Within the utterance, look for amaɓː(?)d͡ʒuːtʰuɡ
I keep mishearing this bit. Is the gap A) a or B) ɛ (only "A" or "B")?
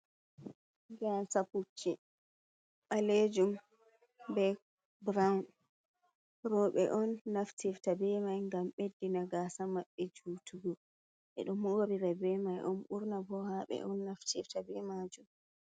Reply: B